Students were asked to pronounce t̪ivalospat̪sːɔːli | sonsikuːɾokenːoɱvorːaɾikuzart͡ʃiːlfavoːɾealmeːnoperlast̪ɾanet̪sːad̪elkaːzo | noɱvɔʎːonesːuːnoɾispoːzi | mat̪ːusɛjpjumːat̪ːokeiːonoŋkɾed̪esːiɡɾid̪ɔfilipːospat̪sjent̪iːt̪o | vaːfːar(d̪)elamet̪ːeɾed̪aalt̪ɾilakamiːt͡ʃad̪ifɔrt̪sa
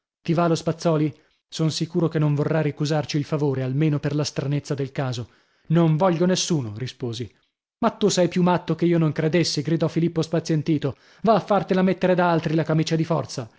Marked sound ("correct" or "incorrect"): incorrect